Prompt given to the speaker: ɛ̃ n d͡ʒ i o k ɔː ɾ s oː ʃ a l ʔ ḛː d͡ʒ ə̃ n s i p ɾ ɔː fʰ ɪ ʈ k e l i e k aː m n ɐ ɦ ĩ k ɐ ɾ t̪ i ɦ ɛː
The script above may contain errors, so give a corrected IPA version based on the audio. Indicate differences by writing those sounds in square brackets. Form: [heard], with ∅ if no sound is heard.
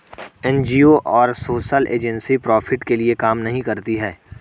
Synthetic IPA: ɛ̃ n d͡ʒ i o [ʔ] ɔː ɾ s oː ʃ [ə] l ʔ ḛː d͡ʒ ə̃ n s i p ɾ ɔː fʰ ɪ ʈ k e l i e k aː m n ɐ ɦ ĩ k ɐ ɾ t̪ i ɦ ɛː